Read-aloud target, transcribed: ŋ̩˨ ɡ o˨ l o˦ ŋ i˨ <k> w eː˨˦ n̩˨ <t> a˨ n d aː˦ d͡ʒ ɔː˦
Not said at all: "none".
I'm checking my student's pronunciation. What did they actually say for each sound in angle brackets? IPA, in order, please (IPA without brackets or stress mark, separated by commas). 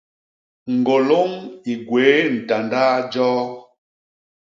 ɡ, t